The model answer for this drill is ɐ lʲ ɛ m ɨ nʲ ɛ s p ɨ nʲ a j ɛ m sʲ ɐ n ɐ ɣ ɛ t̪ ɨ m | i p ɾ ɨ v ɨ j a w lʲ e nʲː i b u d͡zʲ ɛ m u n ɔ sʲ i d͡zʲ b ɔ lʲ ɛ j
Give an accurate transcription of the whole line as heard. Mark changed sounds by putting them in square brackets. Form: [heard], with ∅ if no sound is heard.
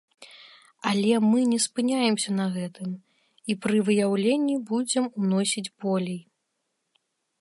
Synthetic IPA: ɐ lʲ ɛ m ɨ nʲ ɛ s p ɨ nʲ a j ɛ m sʲ ɐ n ɐ ɣ ɛ t̪ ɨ m | i p ɾ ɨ v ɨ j a w lʲ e nʲː i b u d͡zʲ ɛ m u n ɔ sʲ i d͡zʲ b ɔ lʲ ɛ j